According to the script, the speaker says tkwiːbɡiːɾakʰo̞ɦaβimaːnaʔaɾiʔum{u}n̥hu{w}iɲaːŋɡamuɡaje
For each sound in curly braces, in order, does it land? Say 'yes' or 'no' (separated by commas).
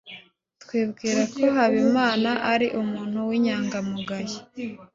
no, yes